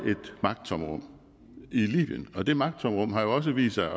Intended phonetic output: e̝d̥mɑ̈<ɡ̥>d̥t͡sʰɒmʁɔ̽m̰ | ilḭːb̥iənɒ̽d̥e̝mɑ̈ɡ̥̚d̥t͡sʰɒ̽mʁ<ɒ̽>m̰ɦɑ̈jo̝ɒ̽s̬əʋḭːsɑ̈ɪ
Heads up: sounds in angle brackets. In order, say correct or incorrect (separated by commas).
correct, incorrect